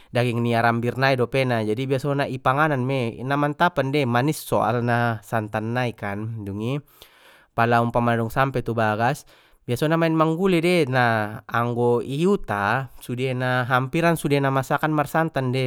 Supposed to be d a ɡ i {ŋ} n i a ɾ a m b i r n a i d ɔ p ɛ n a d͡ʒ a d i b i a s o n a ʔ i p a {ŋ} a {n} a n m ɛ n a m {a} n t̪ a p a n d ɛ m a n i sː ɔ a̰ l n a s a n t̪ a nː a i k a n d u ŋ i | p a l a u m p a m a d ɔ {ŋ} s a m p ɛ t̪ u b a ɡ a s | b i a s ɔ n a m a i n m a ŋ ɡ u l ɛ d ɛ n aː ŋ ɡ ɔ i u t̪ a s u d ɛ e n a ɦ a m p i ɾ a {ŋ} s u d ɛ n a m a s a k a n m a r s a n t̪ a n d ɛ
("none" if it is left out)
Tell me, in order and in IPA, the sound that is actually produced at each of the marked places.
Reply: ŋ, ŋ, n, a, ŋ, n

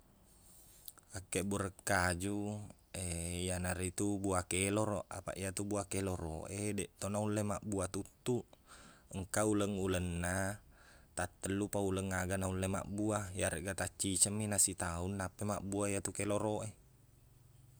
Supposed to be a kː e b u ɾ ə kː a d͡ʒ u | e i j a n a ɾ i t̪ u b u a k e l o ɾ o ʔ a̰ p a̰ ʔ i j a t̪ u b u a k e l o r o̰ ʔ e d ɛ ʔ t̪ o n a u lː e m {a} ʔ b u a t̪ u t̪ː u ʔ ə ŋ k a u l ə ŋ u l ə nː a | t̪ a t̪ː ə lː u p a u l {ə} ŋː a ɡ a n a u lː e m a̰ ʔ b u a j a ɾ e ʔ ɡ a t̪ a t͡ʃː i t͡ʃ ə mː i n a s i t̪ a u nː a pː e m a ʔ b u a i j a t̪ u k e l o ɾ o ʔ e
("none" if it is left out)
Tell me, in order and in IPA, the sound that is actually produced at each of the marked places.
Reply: a, ə

